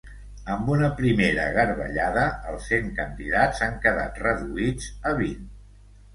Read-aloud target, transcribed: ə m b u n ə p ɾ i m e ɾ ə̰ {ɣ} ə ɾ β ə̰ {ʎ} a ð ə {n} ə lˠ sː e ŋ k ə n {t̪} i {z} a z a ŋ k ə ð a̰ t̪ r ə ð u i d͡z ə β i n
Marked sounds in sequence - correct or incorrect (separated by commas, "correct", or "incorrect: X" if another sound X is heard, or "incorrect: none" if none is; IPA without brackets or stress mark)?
correct, correct, incorrect: none, incorrect: d̪, incorrect: ð